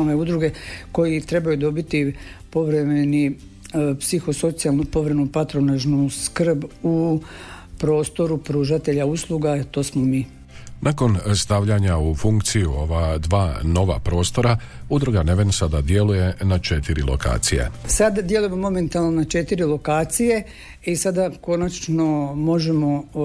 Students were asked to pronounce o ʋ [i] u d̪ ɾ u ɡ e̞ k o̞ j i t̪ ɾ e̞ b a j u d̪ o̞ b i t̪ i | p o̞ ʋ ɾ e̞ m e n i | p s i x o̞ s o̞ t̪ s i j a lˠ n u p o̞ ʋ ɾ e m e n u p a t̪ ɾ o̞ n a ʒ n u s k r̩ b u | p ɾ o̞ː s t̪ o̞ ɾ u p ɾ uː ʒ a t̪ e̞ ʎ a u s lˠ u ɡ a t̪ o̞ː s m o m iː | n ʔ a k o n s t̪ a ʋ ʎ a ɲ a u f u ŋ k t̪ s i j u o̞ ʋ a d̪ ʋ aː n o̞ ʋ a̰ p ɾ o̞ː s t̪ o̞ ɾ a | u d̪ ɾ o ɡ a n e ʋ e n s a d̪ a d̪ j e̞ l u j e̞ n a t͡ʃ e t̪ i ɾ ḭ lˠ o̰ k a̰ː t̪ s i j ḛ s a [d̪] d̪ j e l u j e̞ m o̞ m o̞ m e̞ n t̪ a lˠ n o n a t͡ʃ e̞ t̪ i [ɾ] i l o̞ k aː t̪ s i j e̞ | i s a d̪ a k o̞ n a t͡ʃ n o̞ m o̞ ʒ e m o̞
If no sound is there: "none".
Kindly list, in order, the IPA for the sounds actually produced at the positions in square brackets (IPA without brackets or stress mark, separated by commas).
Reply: e, d̪, ɾ